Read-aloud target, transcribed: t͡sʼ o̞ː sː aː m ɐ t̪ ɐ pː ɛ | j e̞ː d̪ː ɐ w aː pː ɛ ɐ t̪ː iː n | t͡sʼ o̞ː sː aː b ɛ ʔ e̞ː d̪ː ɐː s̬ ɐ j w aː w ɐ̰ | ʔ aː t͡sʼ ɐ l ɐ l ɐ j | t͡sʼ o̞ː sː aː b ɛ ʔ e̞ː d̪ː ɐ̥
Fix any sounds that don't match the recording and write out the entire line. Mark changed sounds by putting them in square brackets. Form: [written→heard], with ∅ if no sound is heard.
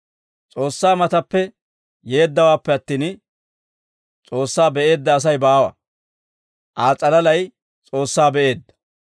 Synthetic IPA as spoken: t͡sʼ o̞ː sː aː m ɐ t̪ ɐ pː ɛ | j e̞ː d̪ː ɐ w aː pː ɛ ɐ t̪ː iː n | t͡sʼ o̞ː sː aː b ɛ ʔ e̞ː d̪ː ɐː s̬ ɐ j [w→b] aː w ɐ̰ | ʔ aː t͡sʼ ɐ l ɐ l ɐ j | t͡sʼ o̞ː sː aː b ɛ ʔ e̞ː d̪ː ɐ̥